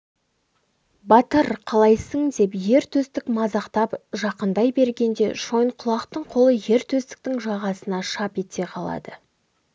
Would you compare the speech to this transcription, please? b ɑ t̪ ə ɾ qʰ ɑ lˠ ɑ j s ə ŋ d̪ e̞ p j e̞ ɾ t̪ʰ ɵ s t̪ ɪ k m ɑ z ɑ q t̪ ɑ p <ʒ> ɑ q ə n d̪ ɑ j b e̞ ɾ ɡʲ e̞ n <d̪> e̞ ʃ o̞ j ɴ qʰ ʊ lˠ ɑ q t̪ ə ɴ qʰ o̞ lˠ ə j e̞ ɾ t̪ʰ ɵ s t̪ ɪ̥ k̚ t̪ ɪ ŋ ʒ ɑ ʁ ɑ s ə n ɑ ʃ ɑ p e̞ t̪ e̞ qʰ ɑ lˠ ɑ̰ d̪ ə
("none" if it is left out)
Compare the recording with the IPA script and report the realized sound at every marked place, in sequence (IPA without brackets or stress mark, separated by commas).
ʒ, d̪